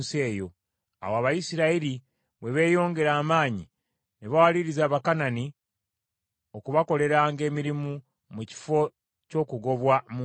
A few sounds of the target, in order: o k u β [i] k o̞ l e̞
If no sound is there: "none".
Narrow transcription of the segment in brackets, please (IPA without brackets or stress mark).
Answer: a